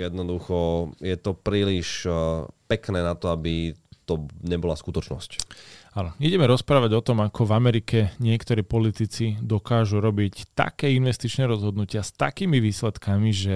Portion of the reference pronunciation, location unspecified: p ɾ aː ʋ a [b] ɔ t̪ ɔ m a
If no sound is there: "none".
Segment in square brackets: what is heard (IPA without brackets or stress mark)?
ɟ